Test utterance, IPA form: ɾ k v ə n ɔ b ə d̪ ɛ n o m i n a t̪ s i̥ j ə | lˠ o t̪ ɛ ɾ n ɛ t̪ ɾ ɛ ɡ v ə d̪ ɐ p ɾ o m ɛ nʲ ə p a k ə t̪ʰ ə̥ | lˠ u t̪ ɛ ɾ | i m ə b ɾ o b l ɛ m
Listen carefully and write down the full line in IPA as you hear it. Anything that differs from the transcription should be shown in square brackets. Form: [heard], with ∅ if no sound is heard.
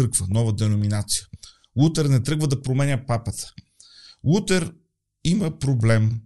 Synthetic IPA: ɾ k v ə n ɔ [v] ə d̪ ɛ n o m i n a t̪ s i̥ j ə | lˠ [u] t̪ ɛ ɾ n ɛ t̪ ɾ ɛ ɡ v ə d̪ ɐ p ɾ o m ɛ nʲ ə p a [p] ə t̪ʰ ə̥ | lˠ u t̪ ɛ ɾ | i m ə [p] ɾ o b l ɛ m